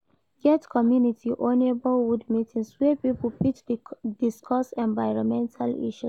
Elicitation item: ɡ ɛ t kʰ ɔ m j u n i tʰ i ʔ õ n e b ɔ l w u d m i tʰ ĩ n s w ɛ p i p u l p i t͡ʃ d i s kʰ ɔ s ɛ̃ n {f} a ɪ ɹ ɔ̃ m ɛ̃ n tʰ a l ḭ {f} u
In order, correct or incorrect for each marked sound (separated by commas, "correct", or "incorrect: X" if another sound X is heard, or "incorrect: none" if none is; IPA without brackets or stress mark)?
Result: incorrect: v, incorrect: ʃ